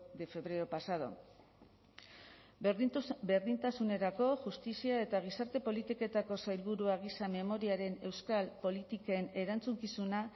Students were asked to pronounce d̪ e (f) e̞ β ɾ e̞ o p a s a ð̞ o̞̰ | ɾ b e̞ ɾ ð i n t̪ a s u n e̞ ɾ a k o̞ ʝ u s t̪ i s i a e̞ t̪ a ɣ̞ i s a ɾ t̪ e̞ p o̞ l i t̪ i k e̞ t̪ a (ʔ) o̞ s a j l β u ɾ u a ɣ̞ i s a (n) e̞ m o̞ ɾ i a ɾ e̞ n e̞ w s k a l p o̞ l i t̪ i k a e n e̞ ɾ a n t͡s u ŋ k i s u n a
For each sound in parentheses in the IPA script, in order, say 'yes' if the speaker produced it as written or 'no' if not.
yes, no, no

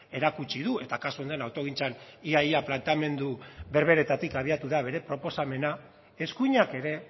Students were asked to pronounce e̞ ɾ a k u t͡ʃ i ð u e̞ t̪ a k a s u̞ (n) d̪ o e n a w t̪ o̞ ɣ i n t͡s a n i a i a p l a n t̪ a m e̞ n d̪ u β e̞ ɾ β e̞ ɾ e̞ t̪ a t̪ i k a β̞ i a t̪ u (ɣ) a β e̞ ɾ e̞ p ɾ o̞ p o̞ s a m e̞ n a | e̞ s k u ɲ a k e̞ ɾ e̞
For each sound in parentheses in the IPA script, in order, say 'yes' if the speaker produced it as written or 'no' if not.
yes, no

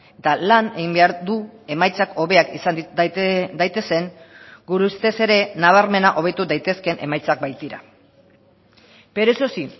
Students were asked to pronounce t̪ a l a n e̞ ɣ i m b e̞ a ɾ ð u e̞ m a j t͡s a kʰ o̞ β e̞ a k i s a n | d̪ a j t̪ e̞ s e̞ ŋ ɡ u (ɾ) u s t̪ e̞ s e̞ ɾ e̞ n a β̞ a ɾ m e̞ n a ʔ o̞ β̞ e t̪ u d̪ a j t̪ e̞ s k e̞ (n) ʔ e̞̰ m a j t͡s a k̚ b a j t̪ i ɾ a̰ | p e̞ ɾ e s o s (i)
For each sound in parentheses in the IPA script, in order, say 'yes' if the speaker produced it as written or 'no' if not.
yes, yes, yes

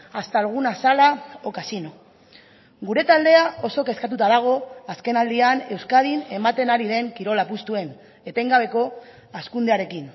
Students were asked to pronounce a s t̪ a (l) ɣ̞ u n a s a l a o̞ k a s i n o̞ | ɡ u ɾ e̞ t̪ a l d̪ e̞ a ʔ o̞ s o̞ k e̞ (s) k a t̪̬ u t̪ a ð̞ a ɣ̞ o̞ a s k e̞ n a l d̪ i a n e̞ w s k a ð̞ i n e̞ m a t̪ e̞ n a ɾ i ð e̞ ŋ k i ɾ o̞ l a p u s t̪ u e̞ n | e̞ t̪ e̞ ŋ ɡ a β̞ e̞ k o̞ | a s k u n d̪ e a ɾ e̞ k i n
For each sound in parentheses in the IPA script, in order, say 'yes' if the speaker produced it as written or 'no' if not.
yes, yes

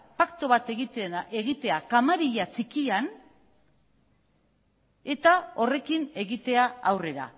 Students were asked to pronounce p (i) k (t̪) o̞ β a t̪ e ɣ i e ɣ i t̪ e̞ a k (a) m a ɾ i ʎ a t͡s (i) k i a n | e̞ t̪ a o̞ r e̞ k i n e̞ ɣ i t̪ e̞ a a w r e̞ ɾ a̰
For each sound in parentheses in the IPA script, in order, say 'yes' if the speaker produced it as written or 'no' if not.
no, yes, yes, yes

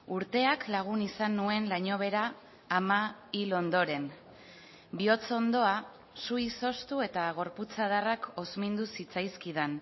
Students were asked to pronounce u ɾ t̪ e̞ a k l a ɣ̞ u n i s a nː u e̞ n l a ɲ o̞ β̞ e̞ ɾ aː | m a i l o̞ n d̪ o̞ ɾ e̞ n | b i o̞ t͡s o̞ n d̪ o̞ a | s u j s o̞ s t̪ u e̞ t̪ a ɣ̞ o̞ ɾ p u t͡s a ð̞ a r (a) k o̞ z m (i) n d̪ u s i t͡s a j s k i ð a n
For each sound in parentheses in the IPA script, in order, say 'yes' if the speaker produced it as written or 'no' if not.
yes, yes

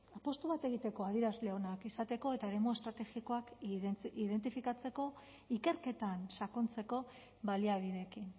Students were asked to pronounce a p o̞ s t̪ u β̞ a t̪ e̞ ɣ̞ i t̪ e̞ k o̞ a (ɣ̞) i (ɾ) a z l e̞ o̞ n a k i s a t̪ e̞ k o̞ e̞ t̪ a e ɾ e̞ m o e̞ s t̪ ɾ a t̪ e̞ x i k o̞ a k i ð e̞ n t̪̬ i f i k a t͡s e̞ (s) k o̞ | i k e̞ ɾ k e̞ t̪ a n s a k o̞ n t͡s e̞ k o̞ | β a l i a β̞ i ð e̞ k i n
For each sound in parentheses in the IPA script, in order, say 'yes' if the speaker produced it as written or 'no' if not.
no, yes, no

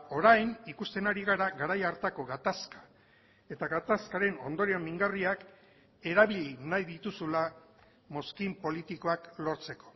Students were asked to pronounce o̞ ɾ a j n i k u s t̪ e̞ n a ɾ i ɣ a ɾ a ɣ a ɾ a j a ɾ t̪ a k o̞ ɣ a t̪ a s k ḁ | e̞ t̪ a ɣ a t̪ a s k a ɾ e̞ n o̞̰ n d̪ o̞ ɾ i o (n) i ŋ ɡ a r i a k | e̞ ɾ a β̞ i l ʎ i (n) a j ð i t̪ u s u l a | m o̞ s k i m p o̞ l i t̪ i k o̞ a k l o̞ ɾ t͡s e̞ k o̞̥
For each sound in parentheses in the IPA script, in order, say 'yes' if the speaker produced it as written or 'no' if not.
no, yes

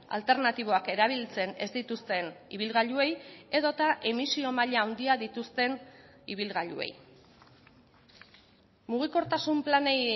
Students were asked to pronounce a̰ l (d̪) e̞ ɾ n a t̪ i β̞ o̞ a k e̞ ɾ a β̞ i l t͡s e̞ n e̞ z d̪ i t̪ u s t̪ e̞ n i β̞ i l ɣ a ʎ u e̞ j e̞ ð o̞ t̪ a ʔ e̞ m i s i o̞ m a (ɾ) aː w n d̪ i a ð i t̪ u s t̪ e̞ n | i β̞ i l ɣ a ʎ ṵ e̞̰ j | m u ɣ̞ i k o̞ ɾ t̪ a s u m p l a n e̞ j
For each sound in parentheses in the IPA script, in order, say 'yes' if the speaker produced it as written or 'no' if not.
no, no

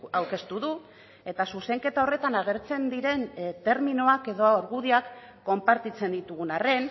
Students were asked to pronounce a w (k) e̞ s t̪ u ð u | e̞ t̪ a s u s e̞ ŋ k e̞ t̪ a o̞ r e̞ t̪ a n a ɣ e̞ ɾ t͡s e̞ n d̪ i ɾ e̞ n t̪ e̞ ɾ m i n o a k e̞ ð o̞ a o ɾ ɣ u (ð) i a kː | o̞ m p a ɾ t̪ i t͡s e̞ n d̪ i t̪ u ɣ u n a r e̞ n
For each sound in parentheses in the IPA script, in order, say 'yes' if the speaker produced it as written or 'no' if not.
yes, yes

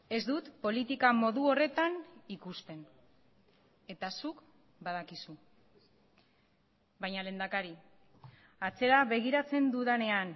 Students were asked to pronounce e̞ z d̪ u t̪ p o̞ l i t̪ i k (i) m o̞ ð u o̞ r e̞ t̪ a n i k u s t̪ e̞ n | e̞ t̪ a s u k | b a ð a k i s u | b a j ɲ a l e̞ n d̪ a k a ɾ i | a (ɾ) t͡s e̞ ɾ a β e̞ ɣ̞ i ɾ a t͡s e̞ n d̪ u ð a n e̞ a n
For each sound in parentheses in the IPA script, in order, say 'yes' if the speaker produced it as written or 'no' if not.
no, no

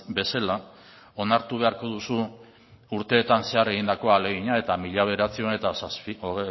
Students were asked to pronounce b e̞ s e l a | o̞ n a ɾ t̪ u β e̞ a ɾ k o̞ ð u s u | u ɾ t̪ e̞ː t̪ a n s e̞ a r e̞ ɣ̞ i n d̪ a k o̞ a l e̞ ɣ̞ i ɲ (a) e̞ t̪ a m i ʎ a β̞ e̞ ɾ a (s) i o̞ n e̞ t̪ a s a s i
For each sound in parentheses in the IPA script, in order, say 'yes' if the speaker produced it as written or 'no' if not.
yes, no

